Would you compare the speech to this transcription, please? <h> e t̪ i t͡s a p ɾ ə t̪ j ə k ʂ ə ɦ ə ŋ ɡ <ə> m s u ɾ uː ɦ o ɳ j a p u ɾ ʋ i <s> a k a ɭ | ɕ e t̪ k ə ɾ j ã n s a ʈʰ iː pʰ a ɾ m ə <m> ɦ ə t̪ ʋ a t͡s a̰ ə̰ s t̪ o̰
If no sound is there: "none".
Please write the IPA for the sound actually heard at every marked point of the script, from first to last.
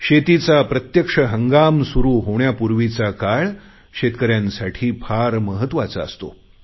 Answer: ɕ, a, t͡s, none

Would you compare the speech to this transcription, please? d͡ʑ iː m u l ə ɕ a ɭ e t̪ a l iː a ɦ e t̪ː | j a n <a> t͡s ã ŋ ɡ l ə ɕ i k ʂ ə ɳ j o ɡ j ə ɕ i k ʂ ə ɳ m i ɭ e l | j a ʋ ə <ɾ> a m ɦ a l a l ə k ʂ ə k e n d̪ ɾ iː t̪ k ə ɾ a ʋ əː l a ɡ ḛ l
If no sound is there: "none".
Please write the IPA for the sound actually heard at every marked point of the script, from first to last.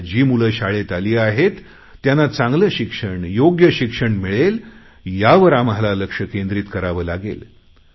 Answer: a, ɾ

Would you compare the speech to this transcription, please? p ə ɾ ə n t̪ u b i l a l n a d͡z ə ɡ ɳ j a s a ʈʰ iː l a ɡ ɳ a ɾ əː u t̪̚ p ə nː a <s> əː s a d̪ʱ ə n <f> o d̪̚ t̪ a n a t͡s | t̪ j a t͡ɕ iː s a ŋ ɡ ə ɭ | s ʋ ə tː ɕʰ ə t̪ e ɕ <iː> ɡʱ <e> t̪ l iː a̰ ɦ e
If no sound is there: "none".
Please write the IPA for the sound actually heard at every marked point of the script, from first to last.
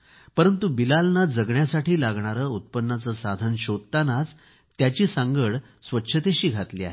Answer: t͡s, ɕ, iː, a

